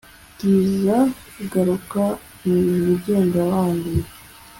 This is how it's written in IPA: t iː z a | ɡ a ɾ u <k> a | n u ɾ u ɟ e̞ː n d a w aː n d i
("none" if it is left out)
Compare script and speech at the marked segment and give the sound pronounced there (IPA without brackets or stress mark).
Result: k